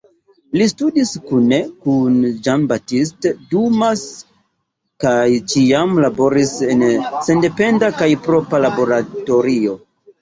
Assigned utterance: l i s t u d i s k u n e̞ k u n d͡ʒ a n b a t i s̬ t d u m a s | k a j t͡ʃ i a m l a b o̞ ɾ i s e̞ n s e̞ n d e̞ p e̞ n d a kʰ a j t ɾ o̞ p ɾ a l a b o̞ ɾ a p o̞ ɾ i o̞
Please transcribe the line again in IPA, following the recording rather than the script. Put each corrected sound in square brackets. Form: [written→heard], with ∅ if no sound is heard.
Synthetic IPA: l i s t u d i s k u n e̞ k u n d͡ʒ a n b a t i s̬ t d u m a s | k a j t͡ʃ i a m l a b o̞ ɾ i s e̞ n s e̞ n d e̞ p e̞ n d a [kʰ→k] a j [t→p] ɾ o̞ p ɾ a l a b o̞ ɾ a [p→t] o̞ ɾ i o̞